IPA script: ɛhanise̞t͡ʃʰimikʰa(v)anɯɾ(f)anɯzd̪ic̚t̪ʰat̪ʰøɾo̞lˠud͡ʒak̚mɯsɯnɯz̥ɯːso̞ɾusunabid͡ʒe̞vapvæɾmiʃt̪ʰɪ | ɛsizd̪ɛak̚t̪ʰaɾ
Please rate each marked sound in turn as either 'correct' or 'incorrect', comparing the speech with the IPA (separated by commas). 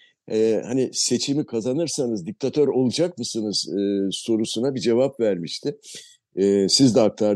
incorrect, incorrect